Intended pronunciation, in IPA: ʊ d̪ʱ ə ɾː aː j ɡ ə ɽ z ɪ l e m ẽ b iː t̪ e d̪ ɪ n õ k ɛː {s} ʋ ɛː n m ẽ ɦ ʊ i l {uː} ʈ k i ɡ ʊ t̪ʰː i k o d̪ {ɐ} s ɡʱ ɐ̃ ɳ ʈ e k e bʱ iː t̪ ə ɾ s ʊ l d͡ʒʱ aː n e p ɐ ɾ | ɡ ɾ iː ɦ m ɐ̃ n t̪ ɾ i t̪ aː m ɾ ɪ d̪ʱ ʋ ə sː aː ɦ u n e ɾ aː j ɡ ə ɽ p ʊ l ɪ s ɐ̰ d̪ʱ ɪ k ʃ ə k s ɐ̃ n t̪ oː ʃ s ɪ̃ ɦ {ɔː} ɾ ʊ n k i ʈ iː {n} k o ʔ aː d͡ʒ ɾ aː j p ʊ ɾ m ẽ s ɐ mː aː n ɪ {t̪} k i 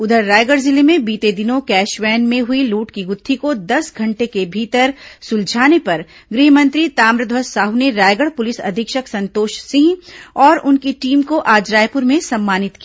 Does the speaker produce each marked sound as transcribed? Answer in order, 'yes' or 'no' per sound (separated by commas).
no, yes, yes, yes, no, yes